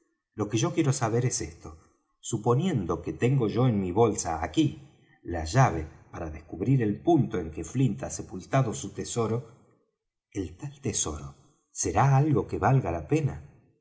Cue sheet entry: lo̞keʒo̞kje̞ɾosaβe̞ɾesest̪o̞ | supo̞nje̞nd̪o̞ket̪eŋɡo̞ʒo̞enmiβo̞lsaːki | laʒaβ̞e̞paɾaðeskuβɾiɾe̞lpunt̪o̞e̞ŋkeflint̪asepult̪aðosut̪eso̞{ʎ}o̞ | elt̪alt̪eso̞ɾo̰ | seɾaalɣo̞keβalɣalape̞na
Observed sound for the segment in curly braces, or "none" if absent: ɾ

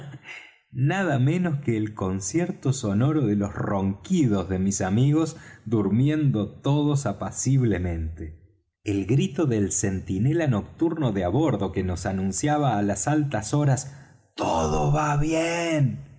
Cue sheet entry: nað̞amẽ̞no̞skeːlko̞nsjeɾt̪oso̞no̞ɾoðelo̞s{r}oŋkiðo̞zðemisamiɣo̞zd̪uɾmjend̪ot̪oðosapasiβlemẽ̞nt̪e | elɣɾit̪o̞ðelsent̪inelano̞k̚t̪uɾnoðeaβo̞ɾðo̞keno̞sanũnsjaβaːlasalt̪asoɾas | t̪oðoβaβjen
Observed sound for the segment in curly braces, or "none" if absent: r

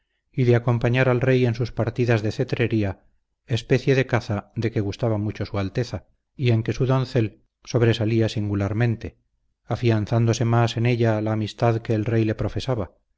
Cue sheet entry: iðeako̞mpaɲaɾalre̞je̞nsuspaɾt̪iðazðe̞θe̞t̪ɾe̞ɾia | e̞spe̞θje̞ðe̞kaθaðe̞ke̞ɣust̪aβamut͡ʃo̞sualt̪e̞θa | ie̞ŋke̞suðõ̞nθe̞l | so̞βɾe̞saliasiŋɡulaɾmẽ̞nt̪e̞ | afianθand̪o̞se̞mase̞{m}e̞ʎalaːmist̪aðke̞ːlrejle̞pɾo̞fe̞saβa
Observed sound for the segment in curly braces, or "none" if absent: n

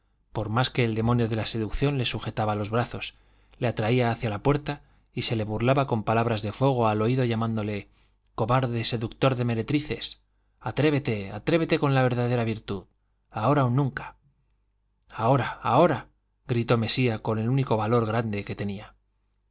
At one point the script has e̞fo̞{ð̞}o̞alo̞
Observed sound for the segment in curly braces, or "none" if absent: ɣ̞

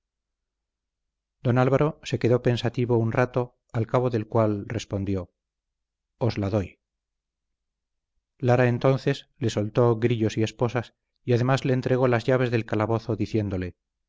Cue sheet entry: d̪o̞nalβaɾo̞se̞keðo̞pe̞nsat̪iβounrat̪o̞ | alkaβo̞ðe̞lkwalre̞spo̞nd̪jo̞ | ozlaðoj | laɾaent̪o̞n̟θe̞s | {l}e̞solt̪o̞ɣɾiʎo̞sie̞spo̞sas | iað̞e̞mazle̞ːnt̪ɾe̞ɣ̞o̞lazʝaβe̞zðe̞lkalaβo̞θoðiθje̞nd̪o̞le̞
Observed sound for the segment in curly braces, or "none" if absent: l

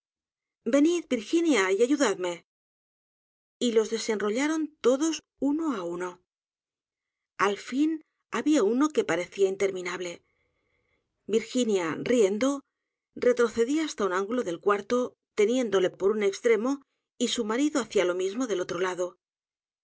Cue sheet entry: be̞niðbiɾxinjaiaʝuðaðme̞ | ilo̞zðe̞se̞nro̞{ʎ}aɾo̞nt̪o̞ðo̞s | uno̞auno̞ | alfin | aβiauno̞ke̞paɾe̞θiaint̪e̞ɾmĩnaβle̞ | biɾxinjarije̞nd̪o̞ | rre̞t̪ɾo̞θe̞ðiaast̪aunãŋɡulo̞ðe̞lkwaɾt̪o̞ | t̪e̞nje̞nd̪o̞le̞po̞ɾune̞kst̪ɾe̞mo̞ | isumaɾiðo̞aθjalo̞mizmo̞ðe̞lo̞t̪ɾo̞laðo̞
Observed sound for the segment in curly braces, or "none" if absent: ʎ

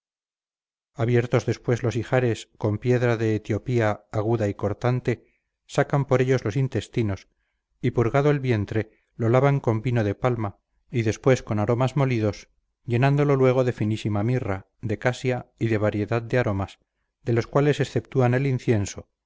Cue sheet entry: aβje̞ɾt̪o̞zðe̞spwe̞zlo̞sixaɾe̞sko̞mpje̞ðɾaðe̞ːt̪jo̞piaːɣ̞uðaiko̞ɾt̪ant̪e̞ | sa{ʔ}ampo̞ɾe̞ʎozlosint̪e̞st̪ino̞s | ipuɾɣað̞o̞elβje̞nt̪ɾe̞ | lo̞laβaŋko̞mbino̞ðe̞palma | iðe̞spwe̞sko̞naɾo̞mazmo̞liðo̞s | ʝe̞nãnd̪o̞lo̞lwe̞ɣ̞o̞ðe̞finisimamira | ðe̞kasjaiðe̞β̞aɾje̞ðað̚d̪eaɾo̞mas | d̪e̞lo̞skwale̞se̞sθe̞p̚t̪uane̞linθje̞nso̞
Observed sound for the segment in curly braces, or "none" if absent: k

